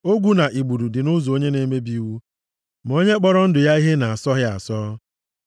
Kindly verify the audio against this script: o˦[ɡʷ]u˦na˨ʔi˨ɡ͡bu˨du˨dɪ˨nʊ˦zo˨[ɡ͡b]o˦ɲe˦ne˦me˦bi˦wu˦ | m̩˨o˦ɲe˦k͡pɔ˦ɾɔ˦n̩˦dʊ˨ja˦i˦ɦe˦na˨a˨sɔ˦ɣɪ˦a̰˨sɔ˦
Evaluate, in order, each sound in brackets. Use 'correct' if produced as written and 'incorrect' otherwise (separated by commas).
correct, incorrect